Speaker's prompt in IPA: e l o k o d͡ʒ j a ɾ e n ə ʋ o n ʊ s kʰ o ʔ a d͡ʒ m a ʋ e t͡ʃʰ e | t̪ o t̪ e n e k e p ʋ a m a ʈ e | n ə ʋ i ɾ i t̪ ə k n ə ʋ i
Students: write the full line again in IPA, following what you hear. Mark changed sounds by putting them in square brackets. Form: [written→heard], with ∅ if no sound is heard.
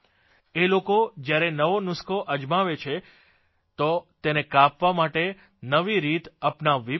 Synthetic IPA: e l o k o d͡ʒ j a ɾ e n ə ʋ o n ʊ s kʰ o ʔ [a→ə] d͡ʒ m a ʋ e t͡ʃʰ e | t̪ o t̪ e n e k [e→a] p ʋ a m a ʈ e | n ə ʋ i ɾ i t̪ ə [k→p] n [ə→a] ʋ i

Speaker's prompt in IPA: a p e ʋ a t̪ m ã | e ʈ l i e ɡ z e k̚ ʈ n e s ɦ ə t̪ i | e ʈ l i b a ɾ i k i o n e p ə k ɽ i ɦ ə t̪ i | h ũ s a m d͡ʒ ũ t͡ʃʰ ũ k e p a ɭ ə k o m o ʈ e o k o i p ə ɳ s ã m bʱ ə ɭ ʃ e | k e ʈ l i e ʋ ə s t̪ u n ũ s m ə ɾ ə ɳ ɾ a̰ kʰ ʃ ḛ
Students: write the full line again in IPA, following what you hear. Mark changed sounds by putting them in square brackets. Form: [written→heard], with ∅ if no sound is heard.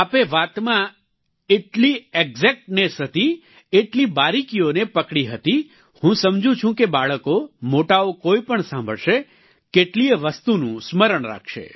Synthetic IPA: a p e ʋ a t̪ m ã | e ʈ l i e ɡ z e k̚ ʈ n e s ɦ ə t̪ i | e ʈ l i b a ɾ i k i o n e p ə k ɽ i ɦ ə t̪ i | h ũ s [a→ə] m d͡ʒ ũ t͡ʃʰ ũ k e [p→b] a ɭ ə k o m o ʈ [e→a] o k o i p ə ɳ s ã m bʱ ə ɭ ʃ e | k e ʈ l i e ʋ ə s t̪ u n ũ s m ə ɾ ə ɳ ɾ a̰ kʰ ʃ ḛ

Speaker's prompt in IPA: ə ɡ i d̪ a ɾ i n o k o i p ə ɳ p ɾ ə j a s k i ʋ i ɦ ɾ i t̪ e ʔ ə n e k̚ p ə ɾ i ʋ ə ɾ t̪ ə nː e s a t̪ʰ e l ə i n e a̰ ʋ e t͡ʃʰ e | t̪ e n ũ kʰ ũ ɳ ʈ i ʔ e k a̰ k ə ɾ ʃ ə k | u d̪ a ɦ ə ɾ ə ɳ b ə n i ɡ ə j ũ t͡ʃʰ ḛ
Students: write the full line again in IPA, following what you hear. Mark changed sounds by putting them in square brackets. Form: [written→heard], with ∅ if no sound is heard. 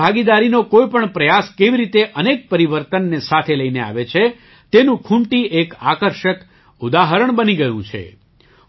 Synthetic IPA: [ə→a] ɡ i d̪ a ɾ i n o k o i p ə ɳ p ɾ ə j a s k [i→e] ʋ i [ɦ→∅] ɾ i t̪ e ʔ ə n e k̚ p ə ɾ i ʋ ə ɾ t̪ ə nː e s a t̪ʰ e l ə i n e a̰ ʋ e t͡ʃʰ e | t̪ e n ũ kʰ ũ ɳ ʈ i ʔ e k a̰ k ə ɾ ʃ ə k | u d̪ a ɦ ə ɾ ə ɳ b ə n i ɡ ə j ũ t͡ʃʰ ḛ

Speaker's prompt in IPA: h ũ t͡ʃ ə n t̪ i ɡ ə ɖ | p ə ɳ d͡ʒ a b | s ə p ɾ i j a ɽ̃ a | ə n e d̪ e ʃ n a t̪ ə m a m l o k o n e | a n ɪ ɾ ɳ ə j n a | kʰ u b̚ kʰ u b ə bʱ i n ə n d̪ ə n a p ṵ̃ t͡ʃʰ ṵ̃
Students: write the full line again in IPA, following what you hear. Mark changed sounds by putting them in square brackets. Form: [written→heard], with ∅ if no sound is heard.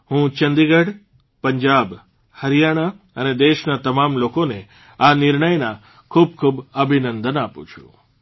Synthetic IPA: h ũ t͡ʃ ə n [t̪→d̪] i ɡ ə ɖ | p ə [ɳ→ɲ] d͡ʒ a b | [s→h] ə [p→∅] ɾ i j a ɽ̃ a | ə n e d̪ e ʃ n a t̪ ə m a m l o k o n e | a n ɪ ɾ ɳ ə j n a | kʰ u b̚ kʰ u b ə bʱ i n ə n d̪ ə n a p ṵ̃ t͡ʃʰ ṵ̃

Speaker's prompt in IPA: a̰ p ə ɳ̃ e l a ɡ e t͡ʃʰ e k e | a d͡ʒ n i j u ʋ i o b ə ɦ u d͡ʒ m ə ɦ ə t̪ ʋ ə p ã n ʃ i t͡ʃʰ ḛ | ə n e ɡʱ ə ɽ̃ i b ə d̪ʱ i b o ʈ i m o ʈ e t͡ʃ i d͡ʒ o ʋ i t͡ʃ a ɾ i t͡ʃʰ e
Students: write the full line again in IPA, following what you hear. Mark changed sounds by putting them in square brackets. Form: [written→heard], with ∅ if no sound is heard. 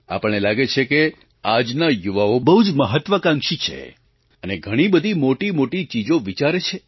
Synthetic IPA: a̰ p ə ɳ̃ e l a ɡ e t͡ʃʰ e k e | a d͡ʒ n [i→a] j u ʋ [i→a] o b ə ɦ u d͡ʒ m ə ɦ ə t̪ ʋ ə [p→k] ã [n→ŋ] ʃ i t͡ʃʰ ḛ | ə n e ɡʱ ə ɽ̃ i b ə d̪ʱ i [b→m] o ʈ i m o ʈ [e→i] t͡ʃ i d͡ʒ o ʋ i t͡ʃ a ɾ [i→e] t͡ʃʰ e

